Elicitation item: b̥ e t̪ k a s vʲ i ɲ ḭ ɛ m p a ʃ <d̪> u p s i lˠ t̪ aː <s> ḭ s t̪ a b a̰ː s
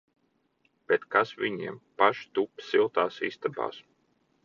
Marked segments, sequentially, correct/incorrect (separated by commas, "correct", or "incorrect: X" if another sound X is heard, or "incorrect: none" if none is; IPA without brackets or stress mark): incorrect: t̪, correct